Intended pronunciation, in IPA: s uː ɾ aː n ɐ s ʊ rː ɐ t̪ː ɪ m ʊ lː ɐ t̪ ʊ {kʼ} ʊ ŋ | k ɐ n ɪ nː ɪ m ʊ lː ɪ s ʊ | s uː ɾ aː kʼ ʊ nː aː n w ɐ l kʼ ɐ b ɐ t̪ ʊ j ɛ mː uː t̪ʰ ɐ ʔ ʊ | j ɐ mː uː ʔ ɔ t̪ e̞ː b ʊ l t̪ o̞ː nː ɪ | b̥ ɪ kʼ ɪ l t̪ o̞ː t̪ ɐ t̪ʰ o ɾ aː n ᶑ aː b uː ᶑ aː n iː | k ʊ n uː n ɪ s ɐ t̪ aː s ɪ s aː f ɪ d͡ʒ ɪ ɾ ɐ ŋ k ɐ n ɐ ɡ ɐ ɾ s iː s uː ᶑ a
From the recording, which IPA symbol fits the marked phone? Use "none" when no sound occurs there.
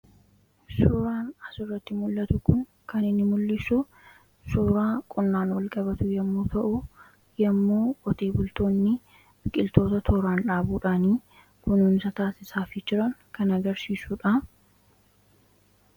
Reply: k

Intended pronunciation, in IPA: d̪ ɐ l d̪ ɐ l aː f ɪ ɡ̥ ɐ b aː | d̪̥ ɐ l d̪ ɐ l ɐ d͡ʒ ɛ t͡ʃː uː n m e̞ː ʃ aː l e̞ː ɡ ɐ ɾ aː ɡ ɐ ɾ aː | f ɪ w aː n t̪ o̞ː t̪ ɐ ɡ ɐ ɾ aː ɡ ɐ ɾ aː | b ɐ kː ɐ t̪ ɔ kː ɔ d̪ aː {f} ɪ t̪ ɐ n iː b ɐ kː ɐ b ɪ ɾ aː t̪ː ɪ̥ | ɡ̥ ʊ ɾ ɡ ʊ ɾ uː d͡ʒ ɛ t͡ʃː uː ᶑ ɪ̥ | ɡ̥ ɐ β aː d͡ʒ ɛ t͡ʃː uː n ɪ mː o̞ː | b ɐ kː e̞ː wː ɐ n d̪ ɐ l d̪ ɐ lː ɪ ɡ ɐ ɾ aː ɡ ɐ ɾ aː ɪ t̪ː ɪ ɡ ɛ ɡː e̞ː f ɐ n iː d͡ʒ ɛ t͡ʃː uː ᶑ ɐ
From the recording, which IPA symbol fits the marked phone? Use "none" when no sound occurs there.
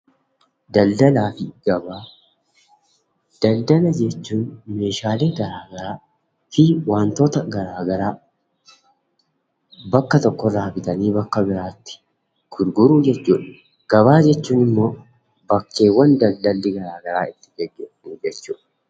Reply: f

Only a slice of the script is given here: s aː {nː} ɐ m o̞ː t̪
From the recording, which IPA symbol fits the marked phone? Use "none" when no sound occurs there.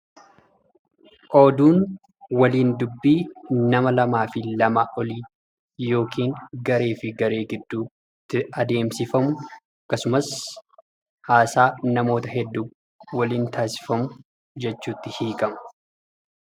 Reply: n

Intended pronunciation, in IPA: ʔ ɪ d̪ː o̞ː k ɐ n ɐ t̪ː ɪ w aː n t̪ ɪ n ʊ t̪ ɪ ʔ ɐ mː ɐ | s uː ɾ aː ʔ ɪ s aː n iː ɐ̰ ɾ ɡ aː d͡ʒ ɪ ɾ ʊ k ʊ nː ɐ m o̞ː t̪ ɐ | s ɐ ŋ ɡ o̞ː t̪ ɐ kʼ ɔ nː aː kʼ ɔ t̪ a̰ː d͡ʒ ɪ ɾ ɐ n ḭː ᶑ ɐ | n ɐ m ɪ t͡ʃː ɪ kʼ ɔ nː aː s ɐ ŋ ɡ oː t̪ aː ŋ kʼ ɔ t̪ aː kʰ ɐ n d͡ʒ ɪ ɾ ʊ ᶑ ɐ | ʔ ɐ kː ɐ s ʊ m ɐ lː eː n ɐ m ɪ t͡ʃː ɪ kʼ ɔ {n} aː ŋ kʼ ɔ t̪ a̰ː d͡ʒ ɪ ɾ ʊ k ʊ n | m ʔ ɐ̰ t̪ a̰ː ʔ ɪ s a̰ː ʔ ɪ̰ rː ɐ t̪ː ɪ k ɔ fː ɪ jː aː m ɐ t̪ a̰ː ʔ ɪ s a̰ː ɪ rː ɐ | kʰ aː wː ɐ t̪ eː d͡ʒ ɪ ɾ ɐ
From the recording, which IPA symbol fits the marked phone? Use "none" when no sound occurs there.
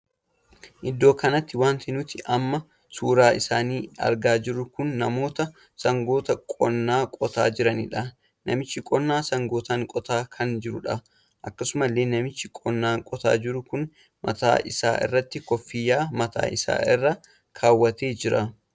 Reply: nː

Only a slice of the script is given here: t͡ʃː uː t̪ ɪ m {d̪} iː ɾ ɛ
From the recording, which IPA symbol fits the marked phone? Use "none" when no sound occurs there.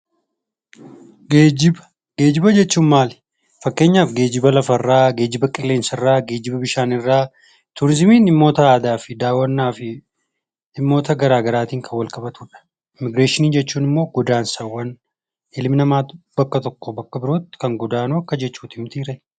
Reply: t̪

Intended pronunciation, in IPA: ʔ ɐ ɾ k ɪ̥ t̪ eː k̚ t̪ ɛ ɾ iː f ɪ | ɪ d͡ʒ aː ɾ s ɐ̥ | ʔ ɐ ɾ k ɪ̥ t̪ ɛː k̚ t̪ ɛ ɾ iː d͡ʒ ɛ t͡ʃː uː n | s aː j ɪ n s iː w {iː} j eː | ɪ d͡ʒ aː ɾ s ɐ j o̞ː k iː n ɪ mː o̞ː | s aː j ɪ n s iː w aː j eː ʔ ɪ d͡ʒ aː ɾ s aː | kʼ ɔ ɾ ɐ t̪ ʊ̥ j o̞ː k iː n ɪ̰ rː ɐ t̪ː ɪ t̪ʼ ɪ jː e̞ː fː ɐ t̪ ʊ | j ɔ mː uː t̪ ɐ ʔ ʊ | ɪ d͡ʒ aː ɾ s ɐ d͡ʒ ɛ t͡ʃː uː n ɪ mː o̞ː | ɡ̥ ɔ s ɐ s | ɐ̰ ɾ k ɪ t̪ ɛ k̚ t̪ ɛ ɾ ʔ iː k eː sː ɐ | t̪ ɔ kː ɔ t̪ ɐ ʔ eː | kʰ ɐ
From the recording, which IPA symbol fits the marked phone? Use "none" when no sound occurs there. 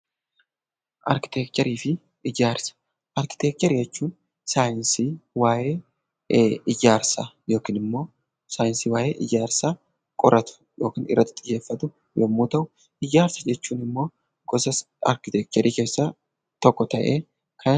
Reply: aː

